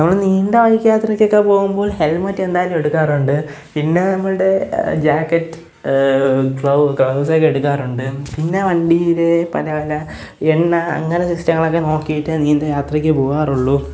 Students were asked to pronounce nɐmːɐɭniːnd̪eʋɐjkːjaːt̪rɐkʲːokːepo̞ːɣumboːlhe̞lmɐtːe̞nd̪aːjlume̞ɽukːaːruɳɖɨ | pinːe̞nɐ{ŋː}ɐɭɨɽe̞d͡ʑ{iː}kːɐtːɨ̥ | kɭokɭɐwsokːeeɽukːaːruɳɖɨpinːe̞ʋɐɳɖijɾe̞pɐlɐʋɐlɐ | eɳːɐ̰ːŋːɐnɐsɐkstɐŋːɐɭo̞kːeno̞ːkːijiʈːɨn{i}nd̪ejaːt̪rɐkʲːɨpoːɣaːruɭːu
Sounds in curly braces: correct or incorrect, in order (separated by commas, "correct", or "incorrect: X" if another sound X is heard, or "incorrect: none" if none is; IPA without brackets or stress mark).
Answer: incorrect: mː, incorrect: aː, incorrect: iː